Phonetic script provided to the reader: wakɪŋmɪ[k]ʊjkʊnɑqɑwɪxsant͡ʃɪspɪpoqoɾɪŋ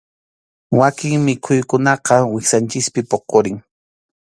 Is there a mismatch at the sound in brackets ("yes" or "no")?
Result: yes